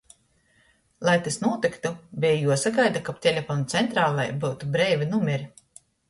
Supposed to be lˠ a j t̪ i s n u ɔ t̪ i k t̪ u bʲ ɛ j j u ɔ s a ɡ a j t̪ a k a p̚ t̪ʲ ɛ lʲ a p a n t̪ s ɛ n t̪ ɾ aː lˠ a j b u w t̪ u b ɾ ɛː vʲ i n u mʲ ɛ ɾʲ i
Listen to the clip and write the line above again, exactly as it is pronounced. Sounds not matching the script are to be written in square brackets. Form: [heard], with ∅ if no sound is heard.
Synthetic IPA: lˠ a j t̪ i s n u ɔ t̪ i k t̪ u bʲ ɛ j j u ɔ s a ɡ a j [d̪] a k a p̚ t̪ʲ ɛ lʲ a p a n t̪ s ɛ n t̪ ɾ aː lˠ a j b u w t̪ u b ɾ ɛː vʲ i n u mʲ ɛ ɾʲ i